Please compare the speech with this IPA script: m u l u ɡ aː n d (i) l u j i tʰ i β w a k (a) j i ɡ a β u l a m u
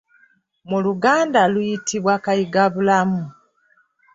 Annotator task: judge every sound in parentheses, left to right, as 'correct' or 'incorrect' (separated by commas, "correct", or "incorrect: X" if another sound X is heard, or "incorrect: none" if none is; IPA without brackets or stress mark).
incorrect: a, correct